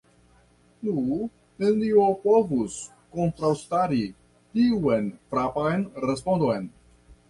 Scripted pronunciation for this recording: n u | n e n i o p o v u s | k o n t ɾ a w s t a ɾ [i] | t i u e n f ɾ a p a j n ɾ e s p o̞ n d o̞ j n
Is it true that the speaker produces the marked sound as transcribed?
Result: yes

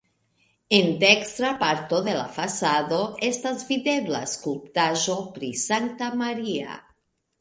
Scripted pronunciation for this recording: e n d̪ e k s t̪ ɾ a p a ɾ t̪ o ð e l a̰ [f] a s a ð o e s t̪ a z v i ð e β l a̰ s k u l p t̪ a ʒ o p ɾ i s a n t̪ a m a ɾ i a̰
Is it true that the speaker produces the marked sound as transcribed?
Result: yes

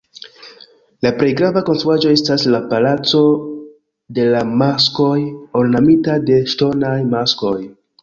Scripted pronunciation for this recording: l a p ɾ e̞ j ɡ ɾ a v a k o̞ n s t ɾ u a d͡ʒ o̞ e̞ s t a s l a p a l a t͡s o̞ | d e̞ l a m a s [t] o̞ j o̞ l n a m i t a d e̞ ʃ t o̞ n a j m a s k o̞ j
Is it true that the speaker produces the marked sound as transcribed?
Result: no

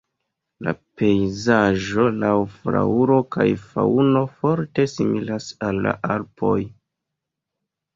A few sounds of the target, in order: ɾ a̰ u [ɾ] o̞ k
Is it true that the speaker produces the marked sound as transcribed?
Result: yes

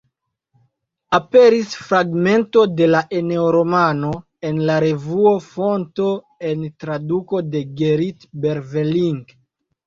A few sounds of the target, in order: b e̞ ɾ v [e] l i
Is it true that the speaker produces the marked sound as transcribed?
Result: yes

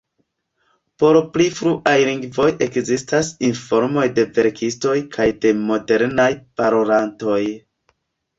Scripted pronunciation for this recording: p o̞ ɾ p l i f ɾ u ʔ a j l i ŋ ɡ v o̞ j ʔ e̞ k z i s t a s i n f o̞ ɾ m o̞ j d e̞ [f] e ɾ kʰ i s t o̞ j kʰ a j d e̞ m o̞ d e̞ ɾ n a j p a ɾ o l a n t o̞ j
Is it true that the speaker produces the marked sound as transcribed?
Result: no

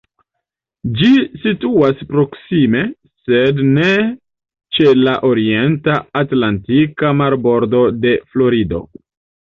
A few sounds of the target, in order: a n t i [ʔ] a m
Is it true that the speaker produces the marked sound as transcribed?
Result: no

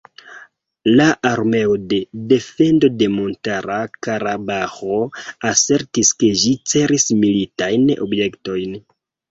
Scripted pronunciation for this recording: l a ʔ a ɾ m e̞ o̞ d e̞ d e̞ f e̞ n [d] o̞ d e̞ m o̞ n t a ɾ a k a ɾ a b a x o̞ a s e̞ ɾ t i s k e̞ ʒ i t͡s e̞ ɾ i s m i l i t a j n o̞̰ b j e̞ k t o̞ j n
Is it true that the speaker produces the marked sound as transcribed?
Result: yes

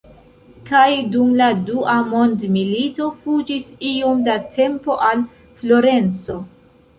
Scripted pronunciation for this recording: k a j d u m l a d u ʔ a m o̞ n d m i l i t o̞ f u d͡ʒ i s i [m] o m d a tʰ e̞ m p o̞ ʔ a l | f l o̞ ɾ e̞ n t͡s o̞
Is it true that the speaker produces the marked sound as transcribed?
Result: no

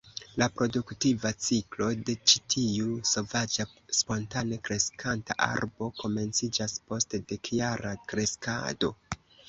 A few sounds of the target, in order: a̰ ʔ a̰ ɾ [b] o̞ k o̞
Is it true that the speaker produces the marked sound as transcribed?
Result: yes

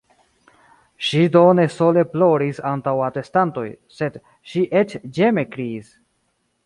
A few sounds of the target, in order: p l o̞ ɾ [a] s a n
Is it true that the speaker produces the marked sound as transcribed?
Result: no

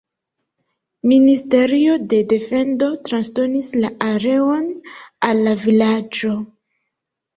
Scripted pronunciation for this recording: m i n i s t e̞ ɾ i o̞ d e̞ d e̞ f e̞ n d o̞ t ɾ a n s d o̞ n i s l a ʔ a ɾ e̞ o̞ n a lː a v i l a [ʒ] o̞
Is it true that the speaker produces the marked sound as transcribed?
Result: no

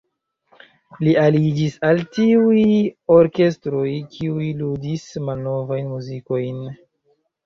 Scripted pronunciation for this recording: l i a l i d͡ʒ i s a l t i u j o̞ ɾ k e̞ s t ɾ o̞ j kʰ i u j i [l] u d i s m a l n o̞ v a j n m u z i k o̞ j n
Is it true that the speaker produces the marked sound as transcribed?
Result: yes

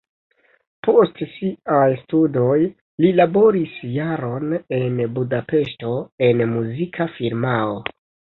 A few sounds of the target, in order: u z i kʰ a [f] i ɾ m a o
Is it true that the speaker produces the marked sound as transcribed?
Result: yes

